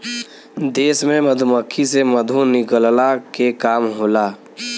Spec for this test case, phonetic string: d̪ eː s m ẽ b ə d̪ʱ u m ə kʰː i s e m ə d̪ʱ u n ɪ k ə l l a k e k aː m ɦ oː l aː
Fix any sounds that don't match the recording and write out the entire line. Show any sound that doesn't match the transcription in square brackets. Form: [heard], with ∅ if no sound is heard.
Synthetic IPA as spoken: d̪ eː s m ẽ [m] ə d̪ʱ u m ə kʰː i s e m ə d̪ʱ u n ɪ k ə l l a k e k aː m ɦ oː l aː

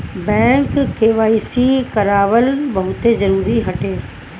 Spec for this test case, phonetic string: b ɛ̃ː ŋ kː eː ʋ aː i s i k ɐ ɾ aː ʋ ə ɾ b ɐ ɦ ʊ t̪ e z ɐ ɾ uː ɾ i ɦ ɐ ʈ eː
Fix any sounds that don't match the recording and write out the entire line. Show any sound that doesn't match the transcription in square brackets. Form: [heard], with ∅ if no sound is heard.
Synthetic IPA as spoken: b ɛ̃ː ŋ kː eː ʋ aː i s i k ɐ ɾ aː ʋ ə [l] b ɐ ɦ ʊ t̪ e z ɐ ɾ uː ɾ i ɦ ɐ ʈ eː

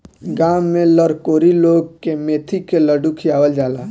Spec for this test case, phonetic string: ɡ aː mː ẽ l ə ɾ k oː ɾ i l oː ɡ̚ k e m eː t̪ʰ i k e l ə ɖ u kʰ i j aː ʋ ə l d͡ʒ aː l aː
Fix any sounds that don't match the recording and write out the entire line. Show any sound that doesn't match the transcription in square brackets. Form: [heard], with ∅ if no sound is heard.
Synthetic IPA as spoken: ɡ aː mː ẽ l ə ɾ k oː ɾ i l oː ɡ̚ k e m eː t̪ʰ i k e l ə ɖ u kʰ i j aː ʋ ə l d͡ʒ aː l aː

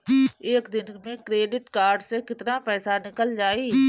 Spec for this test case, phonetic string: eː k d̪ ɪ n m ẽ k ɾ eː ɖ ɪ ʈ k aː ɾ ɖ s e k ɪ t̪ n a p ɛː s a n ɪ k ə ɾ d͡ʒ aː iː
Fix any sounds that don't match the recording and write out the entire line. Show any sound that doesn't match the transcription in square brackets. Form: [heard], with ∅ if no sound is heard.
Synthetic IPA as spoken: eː k d̪ ɪ n m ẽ k ɾ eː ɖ ɪ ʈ k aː ɾ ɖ s e k ɪ t̪ n a p ɛː s a n ɪ k ə [l] d͡ʒ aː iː

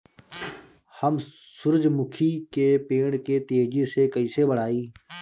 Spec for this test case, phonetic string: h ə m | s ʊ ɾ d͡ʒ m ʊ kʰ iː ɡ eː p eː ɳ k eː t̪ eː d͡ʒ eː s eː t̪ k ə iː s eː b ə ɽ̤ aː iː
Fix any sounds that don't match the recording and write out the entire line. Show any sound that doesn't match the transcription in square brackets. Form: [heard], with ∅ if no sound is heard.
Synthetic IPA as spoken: h ə m | s ʊ ɾ d͡ʒ m ʊ kʰ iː [k] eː p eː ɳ k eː t̪ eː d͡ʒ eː s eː [∅] k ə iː s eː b ə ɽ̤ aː iː

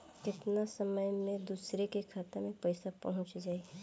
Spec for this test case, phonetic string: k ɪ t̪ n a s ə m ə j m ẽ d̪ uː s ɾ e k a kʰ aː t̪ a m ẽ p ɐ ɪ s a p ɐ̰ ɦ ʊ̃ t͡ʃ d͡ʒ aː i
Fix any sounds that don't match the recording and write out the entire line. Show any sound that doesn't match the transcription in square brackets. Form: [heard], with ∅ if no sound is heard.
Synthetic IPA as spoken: k ɪ t̪ n a s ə m ə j m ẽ d̪ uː s ɾ e k [e] kʰ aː t̪ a m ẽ p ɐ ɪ s a p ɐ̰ ɦ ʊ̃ t͡ʃ d͡ʒ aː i

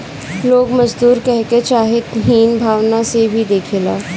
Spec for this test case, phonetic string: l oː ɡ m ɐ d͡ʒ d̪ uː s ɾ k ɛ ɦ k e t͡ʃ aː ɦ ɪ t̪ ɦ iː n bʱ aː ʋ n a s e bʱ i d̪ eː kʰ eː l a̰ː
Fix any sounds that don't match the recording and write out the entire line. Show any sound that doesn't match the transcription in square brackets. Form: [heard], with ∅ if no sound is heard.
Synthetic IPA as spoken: l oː ɡ m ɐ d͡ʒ d̪ uː [∅] ɾ k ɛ ɦ k e t͡ʃ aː ɦ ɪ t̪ ɦ iː n bʱ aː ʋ n a s e bʱ i d̪ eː kʰ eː l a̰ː

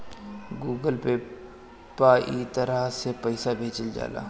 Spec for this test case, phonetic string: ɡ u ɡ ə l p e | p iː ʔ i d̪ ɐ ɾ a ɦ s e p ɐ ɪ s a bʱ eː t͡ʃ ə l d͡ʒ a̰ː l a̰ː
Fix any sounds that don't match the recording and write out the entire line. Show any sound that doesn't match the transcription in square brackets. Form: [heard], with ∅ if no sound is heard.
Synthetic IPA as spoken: ɡ [uː] ɡ ə l p e | p [aː] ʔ i [t̪] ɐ ɾ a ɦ s e p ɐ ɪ s a bʱ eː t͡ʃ ə l d͡ʒ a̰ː l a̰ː

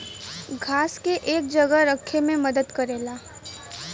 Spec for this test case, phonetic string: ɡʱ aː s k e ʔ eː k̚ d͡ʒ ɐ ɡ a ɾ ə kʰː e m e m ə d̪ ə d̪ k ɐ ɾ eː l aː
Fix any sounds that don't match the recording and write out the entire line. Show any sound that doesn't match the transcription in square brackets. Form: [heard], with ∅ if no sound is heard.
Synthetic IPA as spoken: ɡʱ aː s k e ʔ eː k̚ d͡ʒ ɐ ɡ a ɾ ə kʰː e m [ẽ] m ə d̪ ə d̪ k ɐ ɾ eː l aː

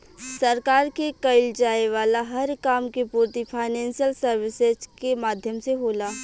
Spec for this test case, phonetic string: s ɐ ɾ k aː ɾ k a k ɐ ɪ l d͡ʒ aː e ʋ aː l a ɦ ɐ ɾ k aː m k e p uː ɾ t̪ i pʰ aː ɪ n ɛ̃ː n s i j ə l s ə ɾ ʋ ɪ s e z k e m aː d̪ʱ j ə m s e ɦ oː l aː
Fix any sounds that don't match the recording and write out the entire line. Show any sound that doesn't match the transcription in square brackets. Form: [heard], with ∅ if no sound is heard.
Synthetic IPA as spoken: s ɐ ɾ k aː ɾ k [e] k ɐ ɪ l d͡ʒ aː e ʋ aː l a ɦ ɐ ɾ k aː m k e p uː ɾ t̪ i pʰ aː ɪ n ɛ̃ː n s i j ə l s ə ɾ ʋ ɪ s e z k e m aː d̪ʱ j ə m s e ɦ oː l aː

